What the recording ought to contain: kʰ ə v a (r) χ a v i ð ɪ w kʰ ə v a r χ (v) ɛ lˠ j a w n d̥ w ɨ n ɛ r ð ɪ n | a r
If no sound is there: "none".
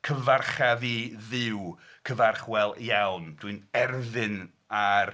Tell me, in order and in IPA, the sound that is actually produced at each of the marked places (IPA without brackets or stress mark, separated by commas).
r, w